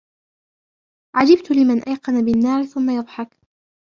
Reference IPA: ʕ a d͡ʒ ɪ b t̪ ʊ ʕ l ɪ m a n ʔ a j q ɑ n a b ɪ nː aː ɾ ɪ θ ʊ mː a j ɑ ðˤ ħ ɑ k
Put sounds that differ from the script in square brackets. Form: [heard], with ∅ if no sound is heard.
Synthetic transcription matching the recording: ʕ a d͡ʒ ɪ b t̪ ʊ [∅] l ɪ m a n ʔ a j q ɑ n a b ɪ nː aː ɾ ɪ θ ʊ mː a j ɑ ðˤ ħ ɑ k